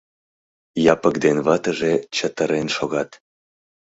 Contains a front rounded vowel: no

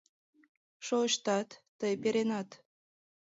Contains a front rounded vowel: no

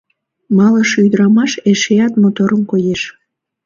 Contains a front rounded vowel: yes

